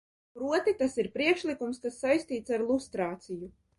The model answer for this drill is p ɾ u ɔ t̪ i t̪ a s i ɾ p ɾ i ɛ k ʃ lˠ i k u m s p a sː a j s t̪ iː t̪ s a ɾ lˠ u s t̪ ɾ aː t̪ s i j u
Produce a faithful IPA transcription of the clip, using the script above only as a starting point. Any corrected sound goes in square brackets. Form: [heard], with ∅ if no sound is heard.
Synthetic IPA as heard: p ɾ u ɔ t̪ i t̪ a s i ɾ p ɾ i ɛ k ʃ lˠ i k u m s [k] a sː a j s t̪ iː t̪ s a ɾ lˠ u s t̪ ɾ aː t̪ s i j u